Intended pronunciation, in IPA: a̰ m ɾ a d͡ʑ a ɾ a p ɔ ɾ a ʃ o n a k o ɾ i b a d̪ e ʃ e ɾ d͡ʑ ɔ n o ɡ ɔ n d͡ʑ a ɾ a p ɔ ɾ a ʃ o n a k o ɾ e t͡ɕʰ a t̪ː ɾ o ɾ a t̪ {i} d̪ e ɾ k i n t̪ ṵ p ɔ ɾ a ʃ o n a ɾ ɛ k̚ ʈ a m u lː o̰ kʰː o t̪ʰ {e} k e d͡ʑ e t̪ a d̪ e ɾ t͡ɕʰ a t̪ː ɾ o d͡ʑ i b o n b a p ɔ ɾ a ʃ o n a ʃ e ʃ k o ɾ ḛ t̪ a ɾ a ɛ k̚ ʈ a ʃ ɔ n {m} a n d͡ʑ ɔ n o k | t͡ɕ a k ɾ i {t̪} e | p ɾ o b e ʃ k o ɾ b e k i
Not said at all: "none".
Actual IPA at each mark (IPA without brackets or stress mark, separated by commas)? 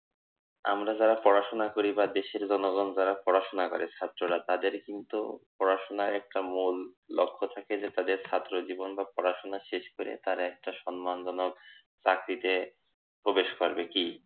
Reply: a, a, m, t̪